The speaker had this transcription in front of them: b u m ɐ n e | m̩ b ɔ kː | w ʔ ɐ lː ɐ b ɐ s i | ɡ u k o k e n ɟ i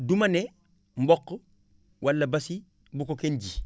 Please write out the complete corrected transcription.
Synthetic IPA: d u m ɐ n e | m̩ b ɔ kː | w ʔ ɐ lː ɐ b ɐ s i | b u k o k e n ɟ i